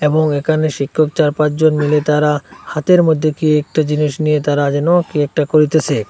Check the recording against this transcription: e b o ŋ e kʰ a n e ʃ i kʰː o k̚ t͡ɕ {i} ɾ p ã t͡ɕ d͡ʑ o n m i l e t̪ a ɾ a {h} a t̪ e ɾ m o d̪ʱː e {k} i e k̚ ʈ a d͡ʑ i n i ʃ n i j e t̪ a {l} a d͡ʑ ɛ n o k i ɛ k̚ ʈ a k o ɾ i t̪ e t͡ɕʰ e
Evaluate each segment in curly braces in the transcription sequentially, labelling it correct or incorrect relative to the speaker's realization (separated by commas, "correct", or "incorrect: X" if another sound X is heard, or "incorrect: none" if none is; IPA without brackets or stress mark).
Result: incorrect: a, correct, correct, incorrect: ɾ